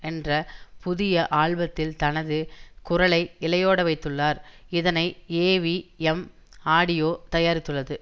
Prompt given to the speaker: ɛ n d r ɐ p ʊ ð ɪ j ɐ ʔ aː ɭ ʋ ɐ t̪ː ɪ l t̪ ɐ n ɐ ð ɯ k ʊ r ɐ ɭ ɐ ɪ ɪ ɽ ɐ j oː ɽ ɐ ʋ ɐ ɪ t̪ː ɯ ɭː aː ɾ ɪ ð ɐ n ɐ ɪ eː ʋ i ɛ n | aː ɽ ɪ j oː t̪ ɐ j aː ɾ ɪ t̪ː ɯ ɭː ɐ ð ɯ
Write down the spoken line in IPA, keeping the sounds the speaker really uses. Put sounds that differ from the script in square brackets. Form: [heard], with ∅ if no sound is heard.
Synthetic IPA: ɛ n d r ɐ p ʊ ð ɪ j ɐ ʔ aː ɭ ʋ ɐ t̪ː ɪ l t̪ ɐ n ɐ ð ɯ k ʊ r ɐ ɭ ɐ ɪ ɪ [l] ɐ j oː ɽ ɐ ʋ ɐ ɪ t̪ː ɯ ɭː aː ɾ ɪ ð ɐ n ɐ ɪ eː ʋ i ɛ [m] | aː ɽ ɪ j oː t̪ ɐ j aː ɾ ɪ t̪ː ɯ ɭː ɐ ð ɯ